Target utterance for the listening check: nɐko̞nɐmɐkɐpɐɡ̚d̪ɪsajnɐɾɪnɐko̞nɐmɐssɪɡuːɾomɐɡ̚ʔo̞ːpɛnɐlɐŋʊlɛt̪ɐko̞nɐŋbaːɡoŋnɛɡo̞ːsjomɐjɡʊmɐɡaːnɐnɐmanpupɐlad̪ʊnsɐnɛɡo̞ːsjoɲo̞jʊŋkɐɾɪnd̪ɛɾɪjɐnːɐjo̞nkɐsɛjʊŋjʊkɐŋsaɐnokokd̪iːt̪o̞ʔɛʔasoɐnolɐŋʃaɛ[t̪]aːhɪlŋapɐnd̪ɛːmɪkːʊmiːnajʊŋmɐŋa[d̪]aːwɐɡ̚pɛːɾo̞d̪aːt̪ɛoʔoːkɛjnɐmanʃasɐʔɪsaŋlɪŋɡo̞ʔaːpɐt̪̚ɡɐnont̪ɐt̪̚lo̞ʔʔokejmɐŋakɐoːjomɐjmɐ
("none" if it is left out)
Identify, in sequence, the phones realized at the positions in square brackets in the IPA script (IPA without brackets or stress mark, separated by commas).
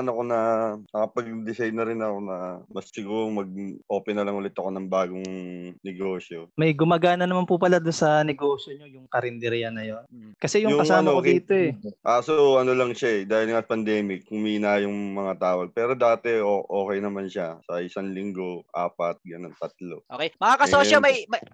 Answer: d̪, t̪